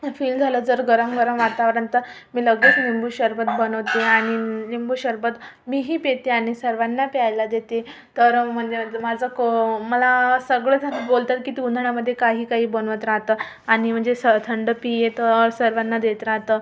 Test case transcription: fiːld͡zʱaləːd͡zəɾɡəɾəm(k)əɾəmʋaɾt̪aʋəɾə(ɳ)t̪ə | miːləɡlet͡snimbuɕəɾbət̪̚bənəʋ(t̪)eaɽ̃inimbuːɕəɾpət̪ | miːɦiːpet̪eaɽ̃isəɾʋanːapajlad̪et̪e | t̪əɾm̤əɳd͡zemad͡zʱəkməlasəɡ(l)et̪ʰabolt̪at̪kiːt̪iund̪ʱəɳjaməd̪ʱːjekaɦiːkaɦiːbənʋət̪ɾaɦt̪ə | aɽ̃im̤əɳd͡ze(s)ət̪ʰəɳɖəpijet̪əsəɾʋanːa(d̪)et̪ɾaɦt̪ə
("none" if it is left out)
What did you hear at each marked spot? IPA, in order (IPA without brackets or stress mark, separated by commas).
ɡ, n, t̪, ɭ, s, d̪